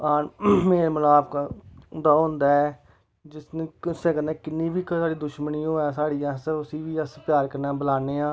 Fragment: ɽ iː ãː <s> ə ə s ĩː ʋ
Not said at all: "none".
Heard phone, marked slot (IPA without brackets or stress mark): s